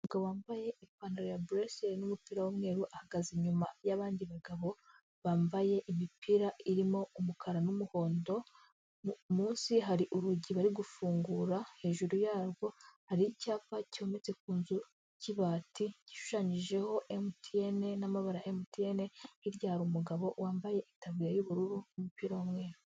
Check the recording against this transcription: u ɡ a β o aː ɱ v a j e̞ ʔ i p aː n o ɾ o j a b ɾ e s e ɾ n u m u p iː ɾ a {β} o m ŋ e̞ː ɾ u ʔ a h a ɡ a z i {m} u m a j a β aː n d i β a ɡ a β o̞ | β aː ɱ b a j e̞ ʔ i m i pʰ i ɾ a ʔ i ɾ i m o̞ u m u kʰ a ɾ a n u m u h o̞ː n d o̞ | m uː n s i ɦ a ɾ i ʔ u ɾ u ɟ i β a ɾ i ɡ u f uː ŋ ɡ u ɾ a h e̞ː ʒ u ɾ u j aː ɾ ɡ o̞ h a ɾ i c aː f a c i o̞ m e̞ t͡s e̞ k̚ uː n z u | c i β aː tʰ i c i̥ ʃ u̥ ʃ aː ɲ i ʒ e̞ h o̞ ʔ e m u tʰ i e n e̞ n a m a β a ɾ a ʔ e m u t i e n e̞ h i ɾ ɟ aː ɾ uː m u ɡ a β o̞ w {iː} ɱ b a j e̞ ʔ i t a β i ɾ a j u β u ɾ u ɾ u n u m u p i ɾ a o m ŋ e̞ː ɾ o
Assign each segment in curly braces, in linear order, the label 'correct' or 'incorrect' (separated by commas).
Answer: incorrect, incorrect, incorrect